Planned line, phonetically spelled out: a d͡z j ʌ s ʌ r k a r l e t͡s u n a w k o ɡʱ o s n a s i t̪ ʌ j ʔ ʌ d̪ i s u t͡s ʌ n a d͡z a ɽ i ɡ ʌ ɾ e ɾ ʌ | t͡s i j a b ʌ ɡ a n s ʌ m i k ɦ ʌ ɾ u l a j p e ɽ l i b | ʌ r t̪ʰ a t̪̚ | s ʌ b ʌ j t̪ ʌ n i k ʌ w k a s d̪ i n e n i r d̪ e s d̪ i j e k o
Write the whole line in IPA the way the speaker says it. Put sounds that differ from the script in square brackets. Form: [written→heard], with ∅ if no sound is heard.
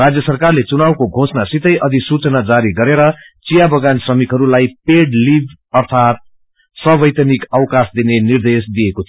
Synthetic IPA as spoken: a d͡z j ʌ s ʌ r k a r l e t͡s u n a w k o ɡʱ o s n a s i t̪ ʌ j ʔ ʌ d̪ i s u t͡s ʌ n a d͡z a [ɽ→ɾ] i ɡ ʌ ɾ e ɾ ʌ | t͡s i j a b ʌ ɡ a n s ʌ m i k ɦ ʌ ɾ u l a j p e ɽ l i b | ʌ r t̪ʰ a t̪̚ | s ʌ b ʌ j t̪ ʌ n i k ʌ w k a s d̪ i n e n i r d̪ e s d̪ i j e k o

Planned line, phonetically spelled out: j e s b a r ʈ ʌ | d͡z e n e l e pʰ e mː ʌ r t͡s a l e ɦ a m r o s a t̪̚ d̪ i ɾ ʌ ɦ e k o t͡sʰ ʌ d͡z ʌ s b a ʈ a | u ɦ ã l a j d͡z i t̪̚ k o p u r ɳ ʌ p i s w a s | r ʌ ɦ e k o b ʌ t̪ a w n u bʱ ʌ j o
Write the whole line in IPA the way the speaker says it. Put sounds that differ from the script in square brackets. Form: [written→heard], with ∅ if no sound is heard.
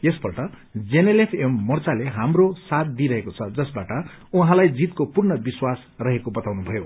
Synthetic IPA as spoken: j e s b [a→ʌ] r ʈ ʌ | d͡z e n e l e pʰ e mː ʌ r t͡s a l e ɦ a m r o s a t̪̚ d̪ i ɾ ʌ ɦ e k o t͡sʰ ʌ d͡z ʌ s b a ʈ [a→ʌ] | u ɦ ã l a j d͡z i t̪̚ k o p u r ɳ ʌ [p→b] i s w a s | r ʌ ɦ e k o b ʌ t̪ a w n u bʱ ʌ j o

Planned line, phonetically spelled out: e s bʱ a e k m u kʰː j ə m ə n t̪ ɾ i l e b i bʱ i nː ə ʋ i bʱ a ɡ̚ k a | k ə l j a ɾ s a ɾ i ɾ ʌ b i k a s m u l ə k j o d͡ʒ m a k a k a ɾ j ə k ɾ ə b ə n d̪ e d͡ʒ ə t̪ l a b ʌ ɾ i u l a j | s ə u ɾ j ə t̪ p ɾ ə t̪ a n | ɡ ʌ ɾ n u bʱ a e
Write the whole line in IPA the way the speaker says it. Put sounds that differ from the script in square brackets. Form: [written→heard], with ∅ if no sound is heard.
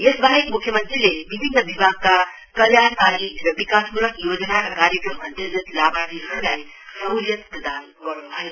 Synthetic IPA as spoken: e s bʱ a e k m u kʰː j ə m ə n t̪ ɾ i l e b i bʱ i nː ə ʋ i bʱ a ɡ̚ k a | k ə l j a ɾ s a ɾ i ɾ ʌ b i k a s m u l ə k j o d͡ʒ [m→n] a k a k a ɾ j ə k ɾ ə [b→m] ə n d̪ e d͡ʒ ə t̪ l a b [ʌ→a] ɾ i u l a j | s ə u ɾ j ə t̪ p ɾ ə [t̪→d̪] a n | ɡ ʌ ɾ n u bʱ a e

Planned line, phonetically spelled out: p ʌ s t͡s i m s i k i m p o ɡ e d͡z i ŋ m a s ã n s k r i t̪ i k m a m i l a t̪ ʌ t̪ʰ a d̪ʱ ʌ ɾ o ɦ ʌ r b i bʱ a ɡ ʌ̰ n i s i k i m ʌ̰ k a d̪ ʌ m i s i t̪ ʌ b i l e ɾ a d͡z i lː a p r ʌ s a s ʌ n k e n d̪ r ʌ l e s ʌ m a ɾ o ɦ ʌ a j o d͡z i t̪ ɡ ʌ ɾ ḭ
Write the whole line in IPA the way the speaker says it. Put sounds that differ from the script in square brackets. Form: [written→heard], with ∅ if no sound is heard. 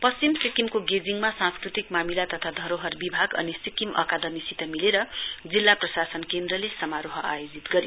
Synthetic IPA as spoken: p ʌ s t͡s i m s i k i m [p→k] o ɡ e d͡z i ŋ m a s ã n s k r i t̪ i k m a m i l a t̪ ʌ t̪ʰ a d̪ʱ ʌ ɾ o ɦ ʌ r b i bʱ a ɡ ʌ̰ n i s i k i m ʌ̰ k a d̪ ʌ m i s i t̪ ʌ [b→m] i l e ɾ [a→ʌ] d͡z i lː a p r ʌ s a s ʌ n k e n d̪ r ʌ l e s ʌ m a ɾ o ɦ ʌ a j o d͡z i t̪ ɡ ʌ ɾ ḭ

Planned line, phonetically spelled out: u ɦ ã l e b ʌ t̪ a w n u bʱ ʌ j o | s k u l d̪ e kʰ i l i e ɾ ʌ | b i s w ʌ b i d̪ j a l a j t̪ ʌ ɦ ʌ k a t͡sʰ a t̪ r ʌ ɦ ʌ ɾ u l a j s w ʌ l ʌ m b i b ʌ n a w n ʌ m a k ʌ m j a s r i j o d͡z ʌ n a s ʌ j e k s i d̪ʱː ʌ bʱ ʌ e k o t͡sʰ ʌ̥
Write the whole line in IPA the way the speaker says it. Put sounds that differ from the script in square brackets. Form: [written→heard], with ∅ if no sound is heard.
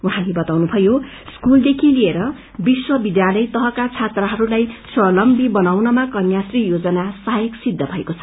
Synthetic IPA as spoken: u ɦ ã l e b ʌ t̪ a w n u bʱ ʌ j o | s k u l d̪ e kʰ i l i e ɾ ʌ | b i s w ʌ b i d̪ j a l [a→ʌ] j t̪ ʌ ɦ ʌ k a t͡sʰ a t̪ r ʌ ɦ ʌ ɾ u l a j s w ʌ l ʌ m b i b ʌ n a w n ʌ m a k ʌ [m→n] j a s r i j o d͡z ʌ n a s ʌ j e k s i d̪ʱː ʌ bʱ ʌ e k o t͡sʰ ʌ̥

